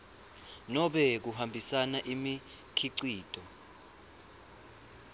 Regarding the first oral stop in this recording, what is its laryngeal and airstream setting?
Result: implosive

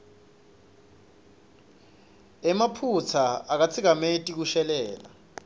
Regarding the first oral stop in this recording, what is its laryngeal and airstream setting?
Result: aspirated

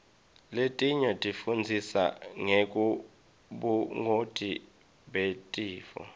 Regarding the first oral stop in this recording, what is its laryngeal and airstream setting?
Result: ejective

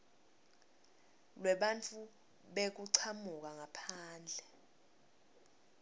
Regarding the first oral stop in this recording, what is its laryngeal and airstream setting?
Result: implosive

